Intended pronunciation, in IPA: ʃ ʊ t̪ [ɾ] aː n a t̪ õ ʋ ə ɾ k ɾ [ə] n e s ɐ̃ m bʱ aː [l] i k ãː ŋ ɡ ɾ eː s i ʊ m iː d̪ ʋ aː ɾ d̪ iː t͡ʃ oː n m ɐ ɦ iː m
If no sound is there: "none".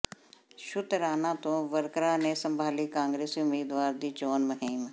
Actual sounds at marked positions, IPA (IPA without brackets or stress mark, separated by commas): ɾ, a, l